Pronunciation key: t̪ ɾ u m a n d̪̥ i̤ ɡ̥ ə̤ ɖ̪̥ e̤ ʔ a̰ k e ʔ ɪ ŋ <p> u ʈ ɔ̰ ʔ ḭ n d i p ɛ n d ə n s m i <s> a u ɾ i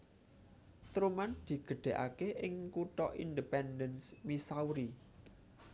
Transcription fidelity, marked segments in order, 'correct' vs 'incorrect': incorrect, correct

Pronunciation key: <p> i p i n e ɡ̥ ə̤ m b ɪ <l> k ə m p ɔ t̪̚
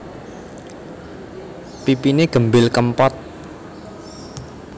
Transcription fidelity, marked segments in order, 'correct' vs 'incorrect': correct, correct

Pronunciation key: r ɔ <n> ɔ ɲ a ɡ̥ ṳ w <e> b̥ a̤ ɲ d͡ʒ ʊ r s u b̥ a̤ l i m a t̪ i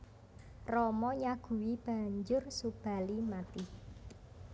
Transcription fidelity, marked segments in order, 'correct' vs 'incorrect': incorrect, incorrect

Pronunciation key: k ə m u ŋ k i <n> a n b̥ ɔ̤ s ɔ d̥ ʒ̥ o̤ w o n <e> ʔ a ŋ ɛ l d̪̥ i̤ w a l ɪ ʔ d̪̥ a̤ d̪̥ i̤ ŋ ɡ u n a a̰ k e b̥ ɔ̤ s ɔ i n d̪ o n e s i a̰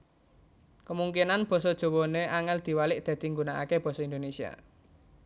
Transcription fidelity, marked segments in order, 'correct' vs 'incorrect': correct, correct

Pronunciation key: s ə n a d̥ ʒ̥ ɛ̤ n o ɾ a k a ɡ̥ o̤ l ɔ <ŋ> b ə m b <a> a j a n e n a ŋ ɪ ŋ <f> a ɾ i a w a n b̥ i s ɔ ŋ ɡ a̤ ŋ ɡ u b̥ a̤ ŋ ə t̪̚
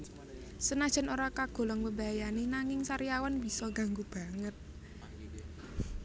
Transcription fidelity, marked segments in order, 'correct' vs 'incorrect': correct, correct, incorrect

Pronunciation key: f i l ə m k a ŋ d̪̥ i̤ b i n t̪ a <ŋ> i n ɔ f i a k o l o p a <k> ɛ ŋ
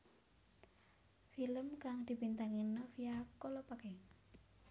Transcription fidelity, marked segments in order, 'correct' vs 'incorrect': correct, correct

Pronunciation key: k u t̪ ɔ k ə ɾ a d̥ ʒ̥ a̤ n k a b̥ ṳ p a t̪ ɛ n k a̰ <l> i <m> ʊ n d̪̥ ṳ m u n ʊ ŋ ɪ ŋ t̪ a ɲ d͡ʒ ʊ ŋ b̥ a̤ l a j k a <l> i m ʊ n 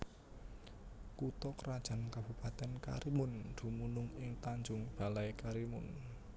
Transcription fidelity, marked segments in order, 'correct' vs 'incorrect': incorrect, correct, incorrect

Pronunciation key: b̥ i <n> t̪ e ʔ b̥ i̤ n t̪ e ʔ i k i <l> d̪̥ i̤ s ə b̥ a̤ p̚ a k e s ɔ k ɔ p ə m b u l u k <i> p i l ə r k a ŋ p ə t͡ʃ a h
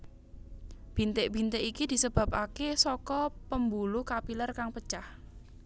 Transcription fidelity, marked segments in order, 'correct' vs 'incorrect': correct, incorrect, incorrect

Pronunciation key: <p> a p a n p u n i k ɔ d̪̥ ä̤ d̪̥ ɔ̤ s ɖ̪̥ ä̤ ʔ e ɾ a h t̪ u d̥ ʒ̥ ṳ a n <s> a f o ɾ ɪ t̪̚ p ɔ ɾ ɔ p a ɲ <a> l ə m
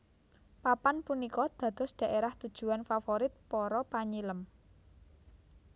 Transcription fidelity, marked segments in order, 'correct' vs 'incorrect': correct, incorrect, incorrect

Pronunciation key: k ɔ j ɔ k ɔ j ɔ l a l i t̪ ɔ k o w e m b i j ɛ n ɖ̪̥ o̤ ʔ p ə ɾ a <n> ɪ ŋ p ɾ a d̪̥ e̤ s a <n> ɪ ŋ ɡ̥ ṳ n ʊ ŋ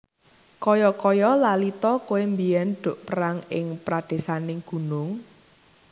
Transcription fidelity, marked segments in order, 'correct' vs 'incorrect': incorrect, correct

